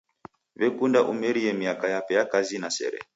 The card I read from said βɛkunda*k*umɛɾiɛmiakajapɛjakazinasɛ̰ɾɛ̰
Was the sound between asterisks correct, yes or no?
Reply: no